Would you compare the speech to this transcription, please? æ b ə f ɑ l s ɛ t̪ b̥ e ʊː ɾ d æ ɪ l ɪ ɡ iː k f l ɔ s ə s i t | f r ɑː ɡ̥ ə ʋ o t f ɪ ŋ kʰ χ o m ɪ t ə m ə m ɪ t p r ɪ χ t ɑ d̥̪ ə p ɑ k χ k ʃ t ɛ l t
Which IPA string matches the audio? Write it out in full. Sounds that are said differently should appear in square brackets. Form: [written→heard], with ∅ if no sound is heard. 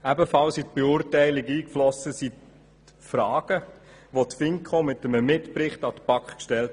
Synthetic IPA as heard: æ b ə f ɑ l s [ɛ→i] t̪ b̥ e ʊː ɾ [d→t] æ ɪ l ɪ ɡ iː k f l ɔ s ə s i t | f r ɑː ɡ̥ ə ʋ o t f ɪ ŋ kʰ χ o m ɪ t ə m ə m ɪ t p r ɪ χ t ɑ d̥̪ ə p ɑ k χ k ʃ t ɛ l t